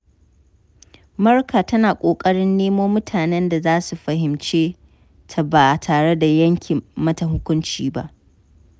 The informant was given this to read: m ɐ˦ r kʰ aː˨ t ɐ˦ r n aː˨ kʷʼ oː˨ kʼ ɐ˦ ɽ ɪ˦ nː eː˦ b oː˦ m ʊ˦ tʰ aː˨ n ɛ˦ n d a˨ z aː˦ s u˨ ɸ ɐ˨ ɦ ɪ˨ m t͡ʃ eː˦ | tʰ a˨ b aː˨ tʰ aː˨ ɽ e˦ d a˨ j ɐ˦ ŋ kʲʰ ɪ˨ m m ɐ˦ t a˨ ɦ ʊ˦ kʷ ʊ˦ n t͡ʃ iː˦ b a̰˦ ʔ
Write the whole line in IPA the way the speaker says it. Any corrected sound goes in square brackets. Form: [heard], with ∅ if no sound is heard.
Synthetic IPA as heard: m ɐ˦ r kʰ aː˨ t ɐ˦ [∅] n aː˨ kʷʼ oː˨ kʼ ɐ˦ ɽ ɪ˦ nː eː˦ [m] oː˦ m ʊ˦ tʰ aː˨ n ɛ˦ n d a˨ z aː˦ s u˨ ɸ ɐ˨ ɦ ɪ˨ m t͡ʃ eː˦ | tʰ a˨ b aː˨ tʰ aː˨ ɽ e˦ d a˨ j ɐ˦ ŋ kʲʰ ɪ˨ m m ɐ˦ t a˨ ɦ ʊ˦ kʷ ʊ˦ n t͡ʃ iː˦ b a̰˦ ʔ